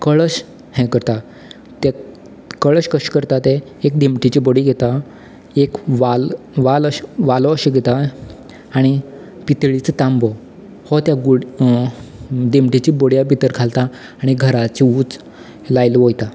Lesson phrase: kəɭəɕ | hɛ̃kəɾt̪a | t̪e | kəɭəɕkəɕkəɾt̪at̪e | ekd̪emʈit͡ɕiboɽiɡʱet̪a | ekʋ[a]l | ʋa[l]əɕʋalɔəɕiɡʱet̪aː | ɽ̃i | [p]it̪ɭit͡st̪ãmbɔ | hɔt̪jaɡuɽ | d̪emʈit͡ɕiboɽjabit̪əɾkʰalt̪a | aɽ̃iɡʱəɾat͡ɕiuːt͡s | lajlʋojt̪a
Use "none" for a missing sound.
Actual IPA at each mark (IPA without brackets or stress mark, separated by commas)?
a, l, p